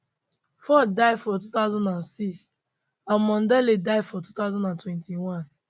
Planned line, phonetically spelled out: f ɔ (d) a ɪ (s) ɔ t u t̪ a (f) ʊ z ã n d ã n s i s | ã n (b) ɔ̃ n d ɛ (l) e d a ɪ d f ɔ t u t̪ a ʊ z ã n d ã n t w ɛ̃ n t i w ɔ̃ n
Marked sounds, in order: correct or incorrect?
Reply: correct, incorrect: f, incorrect: none, incorrect: m, correct

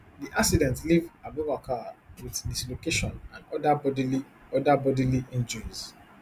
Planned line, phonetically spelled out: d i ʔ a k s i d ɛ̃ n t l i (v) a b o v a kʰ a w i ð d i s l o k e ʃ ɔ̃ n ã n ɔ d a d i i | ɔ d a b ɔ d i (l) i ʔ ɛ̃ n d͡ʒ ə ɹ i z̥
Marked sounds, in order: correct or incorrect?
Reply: correct, correct

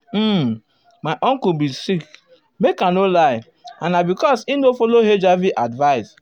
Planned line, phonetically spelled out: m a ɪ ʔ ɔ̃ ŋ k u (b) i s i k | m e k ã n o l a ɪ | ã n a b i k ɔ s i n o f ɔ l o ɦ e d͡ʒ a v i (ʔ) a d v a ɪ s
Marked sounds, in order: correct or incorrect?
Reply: correct, correct

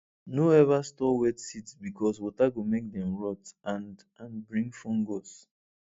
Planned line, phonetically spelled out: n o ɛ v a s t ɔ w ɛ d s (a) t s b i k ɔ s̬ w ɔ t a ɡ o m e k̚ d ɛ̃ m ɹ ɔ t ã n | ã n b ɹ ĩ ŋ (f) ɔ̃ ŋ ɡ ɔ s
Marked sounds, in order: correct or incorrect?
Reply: incorrect: i, correct

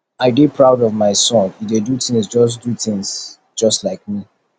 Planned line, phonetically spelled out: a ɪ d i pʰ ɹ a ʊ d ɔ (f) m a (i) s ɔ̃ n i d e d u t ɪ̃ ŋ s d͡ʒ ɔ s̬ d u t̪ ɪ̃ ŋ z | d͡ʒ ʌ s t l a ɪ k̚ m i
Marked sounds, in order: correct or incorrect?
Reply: incorrect: v, incorrect: ɪ

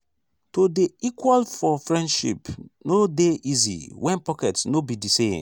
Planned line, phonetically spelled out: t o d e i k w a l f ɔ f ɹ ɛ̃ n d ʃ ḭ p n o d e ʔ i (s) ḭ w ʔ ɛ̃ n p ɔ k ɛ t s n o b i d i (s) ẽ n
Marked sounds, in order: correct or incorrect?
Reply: incorrect: z, correct

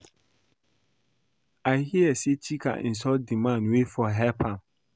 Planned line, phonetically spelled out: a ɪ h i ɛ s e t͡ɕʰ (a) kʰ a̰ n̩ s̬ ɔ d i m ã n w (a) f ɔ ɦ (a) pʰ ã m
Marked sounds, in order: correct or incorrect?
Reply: incorrect: i, incorrect: e, incorrect: ɛ

